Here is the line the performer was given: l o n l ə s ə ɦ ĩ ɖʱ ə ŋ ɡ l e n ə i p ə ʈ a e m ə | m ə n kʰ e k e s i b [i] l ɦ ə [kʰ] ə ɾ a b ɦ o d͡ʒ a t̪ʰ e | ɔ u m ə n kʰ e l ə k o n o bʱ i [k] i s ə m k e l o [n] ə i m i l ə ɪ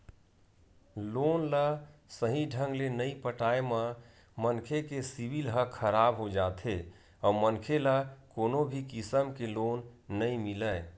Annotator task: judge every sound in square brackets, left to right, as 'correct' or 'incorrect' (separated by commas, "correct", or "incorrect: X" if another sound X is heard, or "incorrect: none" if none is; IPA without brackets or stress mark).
correct, correct, correct, incorrect: nː